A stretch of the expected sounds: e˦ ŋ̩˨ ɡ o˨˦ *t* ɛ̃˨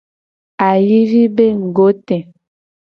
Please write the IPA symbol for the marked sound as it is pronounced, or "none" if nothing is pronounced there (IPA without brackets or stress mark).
t